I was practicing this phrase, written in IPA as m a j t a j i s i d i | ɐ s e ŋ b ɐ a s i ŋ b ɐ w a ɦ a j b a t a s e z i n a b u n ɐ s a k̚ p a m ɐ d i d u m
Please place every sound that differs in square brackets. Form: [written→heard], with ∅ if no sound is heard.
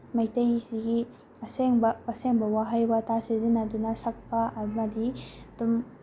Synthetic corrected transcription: m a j t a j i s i [d→ɡ] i | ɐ s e ŋ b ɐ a s [i→e] ŋ b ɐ w a ɦ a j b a t a s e z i n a [b→d] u n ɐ s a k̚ p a m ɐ d i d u m